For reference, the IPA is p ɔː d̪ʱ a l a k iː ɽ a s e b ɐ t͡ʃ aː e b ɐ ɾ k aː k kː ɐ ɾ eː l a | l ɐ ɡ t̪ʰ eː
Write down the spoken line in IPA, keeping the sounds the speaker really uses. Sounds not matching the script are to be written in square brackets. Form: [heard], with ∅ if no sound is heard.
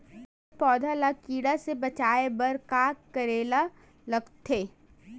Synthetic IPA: p ɔː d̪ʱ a l a k iː ɽ a s e b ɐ t͡ʃ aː e b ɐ ɾ k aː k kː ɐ ɾ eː l a | l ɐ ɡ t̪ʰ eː